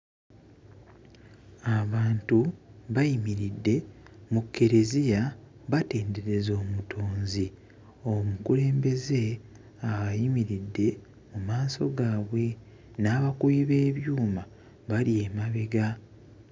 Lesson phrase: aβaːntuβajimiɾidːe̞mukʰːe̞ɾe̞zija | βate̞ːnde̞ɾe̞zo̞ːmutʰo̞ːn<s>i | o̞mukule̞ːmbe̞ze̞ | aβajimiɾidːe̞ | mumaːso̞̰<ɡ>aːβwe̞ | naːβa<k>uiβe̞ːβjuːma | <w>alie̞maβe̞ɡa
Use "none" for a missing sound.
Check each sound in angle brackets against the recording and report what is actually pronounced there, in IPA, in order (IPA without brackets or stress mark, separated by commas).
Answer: z, ɡ, k, β